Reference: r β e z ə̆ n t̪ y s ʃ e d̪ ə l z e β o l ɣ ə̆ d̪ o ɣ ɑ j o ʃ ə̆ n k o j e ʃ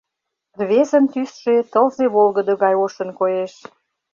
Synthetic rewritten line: r β e z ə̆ n t̪ y s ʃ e t̪ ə l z e β o l ɣ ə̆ d̪ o ɣ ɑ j o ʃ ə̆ n k o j e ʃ